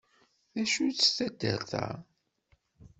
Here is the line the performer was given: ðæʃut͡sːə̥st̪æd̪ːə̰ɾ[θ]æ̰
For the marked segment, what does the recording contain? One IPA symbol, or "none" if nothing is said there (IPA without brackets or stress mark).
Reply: θ